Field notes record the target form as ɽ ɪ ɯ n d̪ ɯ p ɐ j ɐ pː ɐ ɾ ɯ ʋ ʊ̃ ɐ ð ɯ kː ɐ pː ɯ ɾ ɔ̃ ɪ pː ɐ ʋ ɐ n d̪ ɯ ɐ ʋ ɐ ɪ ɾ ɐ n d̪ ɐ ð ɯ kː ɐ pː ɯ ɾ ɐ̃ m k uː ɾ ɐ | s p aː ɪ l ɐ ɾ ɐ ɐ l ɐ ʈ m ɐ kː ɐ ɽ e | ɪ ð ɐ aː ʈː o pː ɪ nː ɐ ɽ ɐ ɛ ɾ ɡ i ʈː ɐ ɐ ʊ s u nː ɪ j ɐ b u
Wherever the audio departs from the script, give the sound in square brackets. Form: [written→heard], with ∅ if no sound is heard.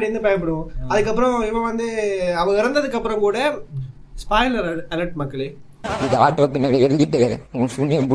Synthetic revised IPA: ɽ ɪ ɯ n d̪ ɯ p ɐ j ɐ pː ɐ [ɾ→ɽ] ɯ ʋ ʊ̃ ɐ ð ɯ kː ɐ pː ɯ ɾ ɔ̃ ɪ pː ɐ ʋ ɐ n d̪ ɯ ɐ ʋ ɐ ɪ ɾ ɐ n d̪ ɐ ð ɯ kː ɐ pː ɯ ɾ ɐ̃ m k uː [ɾ→ɽ] ɐ | s p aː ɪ l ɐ ɾ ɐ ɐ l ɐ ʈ m ɐ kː ɐ [ɽ→ɭ] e | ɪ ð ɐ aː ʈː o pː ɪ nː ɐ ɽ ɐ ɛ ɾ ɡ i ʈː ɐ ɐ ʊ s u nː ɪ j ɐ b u